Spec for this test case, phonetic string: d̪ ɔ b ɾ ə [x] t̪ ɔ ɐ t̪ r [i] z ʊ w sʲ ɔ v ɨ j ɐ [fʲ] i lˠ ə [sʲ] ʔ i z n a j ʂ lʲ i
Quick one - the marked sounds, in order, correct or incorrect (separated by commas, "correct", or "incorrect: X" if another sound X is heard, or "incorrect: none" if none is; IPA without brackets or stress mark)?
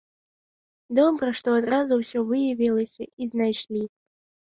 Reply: incorrect: ʂ, incorrect: a, incorrect: vʲ, correct